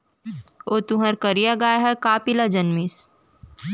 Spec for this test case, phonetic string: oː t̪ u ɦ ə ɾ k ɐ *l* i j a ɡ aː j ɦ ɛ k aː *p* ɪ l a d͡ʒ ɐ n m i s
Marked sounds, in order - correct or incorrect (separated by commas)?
incorrect, correct